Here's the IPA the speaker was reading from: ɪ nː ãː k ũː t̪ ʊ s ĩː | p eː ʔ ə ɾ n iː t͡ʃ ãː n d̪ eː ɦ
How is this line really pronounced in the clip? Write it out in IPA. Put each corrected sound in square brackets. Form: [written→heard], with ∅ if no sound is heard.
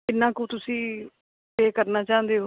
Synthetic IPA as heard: ɪ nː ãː k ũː t̪ ʊ s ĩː | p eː [ʔ→k] ə ɾ n [iː→aː] t͡ʃ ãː n d̪ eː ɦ